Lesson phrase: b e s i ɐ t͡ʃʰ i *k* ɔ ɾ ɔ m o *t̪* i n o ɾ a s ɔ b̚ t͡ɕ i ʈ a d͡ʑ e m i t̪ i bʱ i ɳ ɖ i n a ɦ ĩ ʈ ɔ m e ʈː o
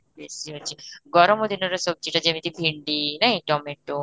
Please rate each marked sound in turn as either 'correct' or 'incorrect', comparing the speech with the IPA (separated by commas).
incorrect, incorrect